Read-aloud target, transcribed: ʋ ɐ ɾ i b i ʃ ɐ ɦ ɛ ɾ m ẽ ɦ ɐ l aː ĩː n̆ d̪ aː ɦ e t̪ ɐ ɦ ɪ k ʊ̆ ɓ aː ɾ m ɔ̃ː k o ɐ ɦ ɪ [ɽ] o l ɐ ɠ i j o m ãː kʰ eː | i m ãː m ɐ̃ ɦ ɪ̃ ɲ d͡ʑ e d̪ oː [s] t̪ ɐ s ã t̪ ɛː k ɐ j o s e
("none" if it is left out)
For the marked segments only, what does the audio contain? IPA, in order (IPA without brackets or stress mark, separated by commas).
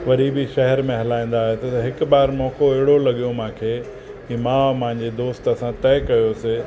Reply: ɽ, s